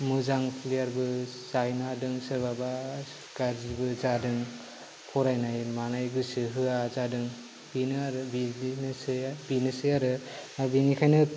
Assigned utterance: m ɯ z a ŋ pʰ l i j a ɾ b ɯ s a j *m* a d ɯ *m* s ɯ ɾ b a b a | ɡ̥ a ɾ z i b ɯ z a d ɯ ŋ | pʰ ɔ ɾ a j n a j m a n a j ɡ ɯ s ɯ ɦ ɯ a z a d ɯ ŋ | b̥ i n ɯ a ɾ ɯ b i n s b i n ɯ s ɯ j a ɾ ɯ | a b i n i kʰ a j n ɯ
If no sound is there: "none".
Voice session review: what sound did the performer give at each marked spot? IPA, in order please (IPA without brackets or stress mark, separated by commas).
n, ŋ